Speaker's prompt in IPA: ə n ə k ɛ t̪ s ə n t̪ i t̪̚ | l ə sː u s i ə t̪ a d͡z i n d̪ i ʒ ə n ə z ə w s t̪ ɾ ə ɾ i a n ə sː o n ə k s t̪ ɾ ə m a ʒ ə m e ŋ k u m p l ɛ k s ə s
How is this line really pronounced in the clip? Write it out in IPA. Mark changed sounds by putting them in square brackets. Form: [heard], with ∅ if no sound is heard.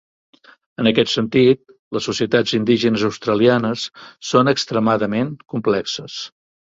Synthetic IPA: ə n ə k ɛ t̪ s ə n t̪ i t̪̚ | l ə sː u s i ə t̪ a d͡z i n d̪ i ʒ ə n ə z ə w s t̪ ɾ ə [l] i a n ə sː o n ə k s t̪ ɾ ə m a [ð] ə m e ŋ k u m p l ɛ k s ə s